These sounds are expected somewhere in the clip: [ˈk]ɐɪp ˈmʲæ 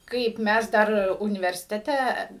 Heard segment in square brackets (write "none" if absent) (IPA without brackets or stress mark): k